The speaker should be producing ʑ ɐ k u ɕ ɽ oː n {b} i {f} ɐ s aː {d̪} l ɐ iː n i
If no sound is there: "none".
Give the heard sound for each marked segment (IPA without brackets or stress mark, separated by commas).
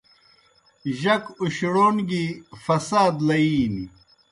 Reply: ɡ, f, d̪